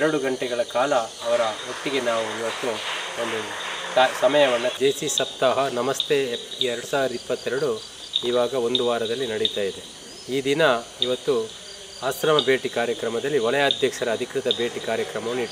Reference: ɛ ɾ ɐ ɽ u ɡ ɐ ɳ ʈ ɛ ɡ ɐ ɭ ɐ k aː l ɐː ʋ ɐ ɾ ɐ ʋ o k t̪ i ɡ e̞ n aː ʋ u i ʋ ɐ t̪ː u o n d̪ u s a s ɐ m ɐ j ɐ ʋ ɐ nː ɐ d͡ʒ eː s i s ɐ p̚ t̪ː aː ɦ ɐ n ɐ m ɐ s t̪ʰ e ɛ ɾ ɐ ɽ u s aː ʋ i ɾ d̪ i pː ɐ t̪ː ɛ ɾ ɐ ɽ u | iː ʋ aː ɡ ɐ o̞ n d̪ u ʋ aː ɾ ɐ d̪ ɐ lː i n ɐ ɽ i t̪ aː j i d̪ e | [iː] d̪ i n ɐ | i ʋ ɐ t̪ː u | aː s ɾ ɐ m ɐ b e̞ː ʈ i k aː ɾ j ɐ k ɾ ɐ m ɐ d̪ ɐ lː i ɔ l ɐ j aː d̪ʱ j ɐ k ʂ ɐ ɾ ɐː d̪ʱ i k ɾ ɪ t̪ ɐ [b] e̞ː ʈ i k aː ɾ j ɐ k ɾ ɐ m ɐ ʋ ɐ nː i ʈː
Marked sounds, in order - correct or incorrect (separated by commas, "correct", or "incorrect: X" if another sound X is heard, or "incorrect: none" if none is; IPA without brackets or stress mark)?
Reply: correct, correct